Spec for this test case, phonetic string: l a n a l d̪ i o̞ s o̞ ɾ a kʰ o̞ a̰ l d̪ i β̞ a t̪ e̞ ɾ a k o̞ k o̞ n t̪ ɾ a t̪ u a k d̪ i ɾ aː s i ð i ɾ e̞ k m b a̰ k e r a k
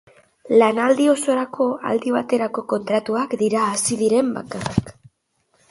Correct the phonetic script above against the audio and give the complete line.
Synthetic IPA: l a n a l d̪ i o̞ s o̞ ɾ a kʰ o̞ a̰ l d̪ i β̞ a t̪ e̞ ɾ a k o̞ k o̞ n t̪ ɾ a t̪ u a k d̪ i ɾ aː s i ð i ɾ e̞ m b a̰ k a r a k